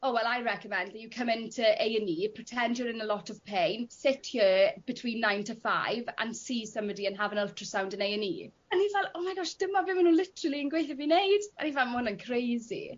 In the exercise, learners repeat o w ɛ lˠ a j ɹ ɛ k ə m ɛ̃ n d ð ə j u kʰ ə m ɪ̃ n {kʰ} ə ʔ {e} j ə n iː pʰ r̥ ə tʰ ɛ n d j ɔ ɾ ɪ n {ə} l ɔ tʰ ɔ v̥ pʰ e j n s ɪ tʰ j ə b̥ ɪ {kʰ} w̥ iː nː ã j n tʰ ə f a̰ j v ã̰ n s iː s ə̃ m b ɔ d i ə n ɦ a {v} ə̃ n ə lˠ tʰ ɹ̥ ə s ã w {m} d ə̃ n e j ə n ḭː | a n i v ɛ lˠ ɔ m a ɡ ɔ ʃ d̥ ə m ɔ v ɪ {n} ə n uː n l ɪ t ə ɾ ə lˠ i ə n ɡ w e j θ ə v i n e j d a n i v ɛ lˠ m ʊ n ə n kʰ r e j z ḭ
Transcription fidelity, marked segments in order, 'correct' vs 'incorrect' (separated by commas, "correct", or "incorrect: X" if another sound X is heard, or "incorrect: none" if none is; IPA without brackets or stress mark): incorrect: tʰ, correct, correct, incorrect: tʰ, correct, incorrect: n, incorrect: m